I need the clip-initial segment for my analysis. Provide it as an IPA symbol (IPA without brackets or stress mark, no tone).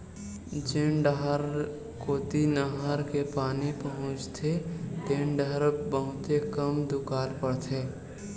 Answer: d͡ʒ